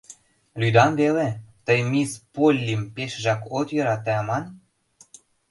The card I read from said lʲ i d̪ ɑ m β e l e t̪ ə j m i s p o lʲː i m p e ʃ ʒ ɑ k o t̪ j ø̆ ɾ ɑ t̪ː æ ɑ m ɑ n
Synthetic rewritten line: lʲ y d̪ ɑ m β e l e t̪ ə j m i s p o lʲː i m p e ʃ ʒ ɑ k o t̪ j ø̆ ɾ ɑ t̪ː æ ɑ m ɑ n